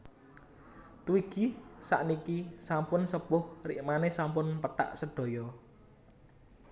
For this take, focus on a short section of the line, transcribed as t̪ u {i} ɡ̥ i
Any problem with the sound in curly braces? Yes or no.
no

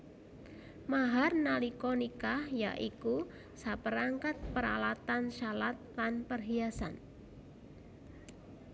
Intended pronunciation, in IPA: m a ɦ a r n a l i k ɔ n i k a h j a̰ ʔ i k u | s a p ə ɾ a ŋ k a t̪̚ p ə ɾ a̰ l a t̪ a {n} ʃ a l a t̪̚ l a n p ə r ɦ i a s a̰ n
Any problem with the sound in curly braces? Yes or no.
no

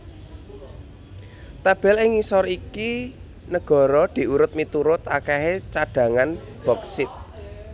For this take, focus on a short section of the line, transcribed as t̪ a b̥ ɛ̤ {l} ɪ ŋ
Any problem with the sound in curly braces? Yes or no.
no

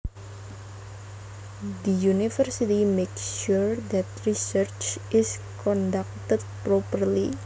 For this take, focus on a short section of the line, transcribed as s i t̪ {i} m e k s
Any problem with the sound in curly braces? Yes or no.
no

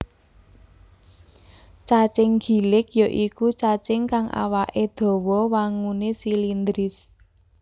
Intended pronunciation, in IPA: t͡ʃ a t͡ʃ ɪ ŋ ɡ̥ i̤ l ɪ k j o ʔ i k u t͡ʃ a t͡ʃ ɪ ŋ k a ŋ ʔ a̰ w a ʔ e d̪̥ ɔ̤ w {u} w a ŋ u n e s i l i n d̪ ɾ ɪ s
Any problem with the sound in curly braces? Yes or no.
yes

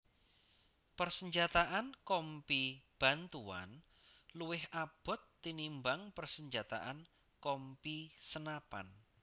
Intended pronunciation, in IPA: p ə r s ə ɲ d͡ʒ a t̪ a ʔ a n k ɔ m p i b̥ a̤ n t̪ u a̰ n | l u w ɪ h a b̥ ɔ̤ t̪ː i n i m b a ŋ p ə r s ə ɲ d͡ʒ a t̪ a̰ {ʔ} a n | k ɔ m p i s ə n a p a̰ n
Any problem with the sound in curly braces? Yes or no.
no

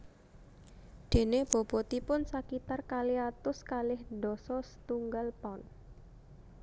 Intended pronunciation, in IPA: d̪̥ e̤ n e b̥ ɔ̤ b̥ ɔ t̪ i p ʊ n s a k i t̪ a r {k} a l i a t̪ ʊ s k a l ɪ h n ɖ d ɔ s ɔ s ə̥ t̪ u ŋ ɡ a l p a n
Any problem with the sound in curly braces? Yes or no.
no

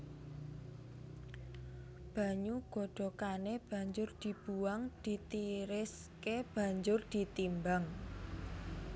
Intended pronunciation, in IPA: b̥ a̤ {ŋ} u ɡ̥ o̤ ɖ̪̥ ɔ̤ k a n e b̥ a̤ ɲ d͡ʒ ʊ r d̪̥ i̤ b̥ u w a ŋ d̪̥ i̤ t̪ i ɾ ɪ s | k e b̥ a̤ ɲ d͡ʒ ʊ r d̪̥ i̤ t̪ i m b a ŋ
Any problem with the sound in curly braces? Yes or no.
yes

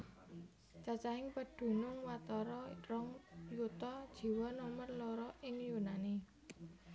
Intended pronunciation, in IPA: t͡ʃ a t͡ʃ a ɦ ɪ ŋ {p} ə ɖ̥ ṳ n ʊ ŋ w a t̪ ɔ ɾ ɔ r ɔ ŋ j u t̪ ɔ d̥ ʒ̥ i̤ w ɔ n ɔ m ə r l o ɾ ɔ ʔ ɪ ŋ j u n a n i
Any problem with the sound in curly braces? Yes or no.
no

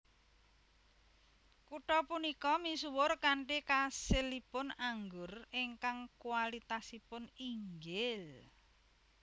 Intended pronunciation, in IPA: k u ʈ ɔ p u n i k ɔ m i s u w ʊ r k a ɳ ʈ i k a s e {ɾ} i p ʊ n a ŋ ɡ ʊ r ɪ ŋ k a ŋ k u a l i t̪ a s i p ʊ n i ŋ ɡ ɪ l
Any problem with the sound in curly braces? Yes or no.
yes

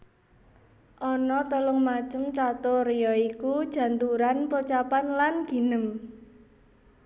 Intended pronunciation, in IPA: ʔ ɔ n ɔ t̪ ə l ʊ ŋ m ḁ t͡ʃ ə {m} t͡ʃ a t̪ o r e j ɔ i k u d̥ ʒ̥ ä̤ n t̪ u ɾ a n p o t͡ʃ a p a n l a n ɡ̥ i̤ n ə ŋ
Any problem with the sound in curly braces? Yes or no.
no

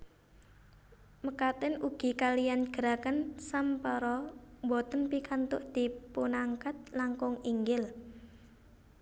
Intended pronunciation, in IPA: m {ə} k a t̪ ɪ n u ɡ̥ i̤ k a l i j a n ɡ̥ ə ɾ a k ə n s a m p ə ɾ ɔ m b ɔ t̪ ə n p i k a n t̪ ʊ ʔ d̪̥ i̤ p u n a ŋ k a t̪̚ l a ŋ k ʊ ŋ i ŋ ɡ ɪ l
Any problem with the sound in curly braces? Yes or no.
no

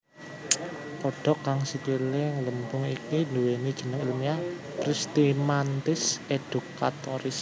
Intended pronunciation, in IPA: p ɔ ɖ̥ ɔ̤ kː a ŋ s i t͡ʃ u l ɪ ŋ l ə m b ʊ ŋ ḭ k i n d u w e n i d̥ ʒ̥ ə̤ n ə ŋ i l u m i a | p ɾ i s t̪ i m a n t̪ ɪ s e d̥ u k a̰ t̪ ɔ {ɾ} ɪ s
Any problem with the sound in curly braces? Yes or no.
no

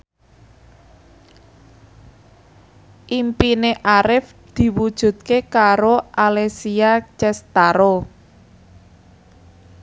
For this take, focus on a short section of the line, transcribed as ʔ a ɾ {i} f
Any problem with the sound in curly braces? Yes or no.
yes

